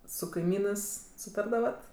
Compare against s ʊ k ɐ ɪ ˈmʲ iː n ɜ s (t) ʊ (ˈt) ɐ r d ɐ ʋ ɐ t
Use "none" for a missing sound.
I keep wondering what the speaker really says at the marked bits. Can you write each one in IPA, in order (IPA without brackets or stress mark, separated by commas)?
s, t